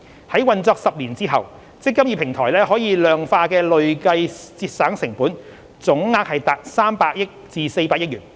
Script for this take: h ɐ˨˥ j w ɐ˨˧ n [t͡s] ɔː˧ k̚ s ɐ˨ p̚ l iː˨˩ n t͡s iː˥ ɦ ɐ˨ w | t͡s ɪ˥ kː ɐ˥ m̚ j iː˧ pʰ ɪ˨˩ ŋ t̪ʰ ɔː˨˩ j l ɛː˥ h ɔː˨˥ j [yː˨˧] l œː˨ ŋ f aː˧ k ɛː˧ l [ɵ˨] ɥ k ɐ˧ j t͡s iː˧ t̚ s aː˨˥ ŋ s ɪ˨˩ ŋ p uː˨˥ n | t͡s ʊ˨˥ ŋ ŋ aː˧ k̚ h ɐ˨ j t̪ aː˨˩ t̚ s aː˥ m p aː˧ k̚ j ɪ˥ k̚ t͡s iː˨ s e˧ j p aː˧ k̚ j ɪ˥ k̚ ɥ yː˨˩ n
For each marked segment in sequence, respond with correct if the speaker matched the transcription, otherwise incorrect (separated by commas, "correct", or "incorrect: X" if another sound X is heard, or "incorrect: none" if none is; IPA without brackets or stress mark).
correct, incorrect: iː˨˧, correct